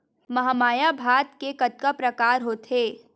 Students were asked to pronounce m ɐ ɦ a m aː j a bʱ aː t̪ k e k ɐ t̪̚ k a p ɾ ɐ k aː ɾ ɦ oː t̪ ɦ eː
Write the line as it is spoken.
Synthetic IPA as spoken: m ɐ ɦ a m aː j a bʱ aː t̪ k e k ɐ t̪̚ k a p ɾ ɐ k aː ɾ ɦ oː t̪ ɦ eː